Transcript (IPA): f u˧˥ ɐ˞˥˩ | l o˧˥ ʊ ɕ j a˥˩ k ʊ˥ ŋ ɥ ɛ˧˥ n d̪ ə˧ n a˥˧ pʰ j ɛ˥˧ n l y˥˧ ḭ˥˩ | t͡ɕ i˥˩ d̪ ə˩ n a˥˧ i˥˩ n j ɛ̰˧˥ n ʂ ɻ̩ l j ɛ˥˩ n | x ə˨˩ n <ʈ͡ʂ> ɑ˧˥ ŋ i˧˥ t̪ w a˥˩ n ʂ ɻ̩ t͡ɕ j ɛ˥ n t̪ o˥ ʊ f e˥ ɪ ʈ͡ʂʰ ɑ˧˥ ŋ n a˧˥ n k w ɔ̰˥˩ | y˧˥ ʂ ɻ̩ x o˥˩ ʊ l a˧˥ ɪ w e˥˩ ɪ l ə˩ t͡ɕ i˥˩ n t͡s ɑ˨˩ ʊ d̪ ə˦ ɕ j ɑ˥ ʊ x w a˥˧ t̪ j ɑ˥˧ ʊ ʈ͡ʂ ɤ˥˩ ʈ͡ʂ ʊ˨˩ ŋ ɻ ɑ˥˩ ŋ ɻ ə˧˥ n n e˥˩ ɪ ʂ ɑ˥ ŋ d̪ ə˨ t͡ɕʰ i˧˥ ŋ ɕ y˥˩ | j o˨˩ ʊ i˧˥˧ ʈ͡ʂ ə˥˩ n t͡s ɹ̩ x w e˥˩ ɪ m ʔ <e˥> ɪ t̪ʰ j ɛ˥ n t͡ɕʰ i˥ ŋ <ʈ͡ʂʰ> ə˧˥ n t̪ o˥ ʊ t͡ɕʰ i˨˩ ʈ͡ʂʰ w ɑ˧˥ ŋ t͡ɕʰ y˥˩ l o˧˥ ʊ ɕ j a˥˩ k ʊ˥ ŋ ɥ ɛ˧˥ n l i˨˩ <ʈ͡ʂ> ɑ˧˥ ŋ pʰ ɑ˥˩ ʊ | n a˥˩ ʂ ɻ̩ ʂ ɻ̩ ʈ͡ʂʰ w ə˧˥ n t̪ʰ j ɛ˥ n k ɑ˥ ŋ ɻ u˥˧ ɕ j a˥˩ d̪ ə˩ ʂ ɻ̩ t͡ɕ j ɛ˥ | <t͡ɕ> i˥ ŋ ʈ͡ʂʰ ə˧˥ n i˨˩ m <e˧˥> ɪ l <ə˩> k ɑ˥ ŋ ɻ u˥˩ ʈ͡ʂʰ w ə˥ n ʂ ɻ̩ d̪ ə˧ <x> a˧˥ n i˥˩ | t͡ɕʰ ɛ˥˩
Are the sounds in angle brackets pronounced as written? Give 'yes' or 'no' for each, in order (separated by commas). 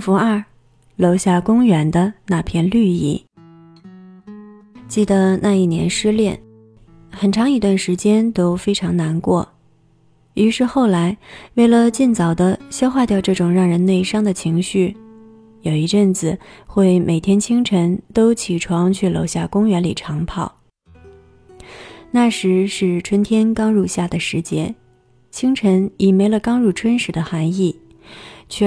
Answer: no, no, yes, no, no, yes, no, yes